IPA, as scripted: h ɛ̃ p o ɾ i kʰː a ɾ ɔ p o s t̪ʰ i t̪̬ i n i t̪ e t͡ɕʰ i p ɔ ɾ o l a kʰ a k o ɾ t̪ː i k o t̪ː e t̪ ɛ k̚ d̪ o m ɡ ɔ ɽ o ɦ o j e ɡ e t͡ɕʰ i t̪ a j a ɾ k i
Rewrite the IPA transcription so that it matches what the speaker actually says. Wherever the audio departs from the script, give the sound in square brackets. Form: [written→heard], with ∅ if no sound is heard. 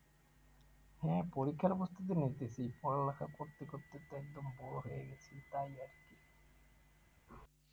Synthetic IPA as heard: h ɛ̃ p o ɾ i kʰː a ɾ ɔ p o s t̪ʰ i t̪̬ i n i t̪ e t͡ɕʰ i p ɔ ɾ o l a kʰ a k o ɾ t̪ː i k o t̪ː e t̪ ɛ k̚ d̪ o m [ɡ→b] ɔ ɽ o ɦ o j e ɡ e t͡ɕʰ i t̪ a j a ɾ k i